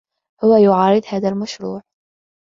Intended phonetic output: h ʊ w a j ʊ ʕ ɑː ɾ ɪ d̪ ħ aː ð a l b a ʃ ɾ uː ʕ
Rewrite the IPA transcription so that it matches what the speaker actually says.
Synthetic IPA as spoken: h ʊ w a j ʊ ʕ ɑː ɾ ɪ d̪ h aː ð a l m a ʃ ɾ uː ʕ